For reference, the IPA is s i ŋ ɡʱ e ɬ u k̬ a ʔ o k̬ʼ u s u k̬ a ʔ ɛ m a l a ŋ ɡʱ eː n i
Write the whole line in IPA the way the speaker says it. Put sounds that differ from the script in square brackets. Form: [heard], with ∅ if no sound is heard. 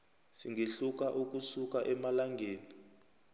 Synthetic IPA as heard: s i ŋ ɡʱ e ɬ u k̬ a ʔ [u] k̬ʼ u s u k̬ a ʔ ɛ m a l a ŋ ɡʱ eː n i